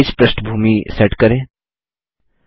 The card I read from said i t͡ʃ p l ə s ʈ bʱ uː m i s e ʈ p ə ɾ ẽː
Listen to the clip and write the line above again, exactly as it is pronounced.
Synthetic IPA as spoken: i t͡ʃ p ɾ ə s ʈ bʱ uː m i s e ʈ k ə ɾ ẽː